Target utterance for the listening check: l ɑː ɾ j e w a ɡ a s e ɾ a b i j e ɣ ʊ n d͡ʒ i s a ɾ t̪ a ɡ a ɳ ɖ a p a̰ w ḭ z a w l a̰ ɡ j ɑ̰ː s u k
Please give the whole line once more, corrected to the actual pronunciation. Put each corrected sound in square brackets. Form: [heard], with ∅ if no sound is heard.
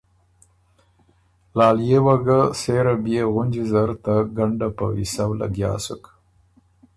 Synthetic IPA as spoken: l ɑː [l] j e w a ɡ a s e ɾ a b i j e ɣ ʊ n d͡ʒ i [z] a ɾ t̪ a ɡ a ɳ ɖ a p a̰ w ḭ [s] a w l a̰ ɡ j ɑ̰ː s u k